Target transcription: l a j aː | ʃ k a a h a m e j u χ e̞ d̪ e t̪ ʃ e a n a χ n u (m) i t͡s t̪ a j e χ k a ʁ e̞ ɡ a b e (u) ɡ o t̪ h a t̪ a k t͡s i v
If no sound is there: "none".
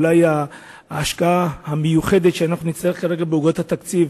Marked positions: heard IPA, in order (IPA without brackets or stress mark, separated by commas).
n, u